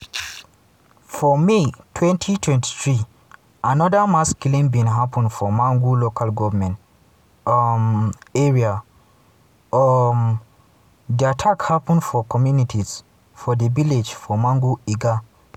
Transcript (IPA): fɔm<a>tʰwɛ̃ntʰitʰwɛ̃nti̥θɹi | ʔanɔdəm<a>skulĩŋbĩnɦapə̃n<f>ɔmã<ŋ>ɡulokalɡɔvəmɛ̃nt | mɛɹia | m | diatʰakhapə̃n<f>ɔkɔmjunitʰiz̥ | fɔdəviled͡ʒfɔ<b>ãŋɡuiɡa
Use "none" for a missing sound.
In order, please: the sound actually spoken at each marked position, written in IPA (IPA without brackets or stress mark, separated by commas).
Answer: i, a, f, ŋ, f, m